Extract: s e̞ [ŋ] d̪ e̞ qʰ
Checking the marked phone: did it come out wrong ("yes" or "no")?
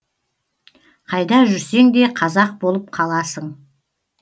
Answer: no